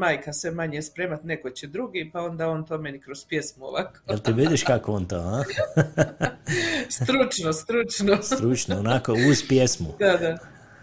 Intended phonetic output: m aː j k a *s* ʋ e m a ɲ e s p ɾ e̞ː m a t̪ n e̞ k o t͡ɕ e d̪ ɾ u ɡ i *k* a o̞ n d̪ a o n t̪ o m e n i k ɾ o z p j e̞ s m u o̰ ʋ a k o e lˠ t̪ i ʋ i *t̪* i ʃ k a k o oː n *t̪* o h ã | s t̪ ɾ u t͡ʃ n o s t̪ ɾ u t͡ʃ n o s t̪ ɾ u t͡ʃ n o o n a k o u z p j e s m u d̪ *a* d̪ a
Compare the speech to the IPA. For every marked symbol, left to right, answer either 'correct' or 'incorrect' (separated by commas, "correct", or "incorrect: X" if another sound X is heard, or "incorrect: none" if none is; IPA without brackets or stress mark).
correct, incorrect: p, incorrect: d̪, correct, correct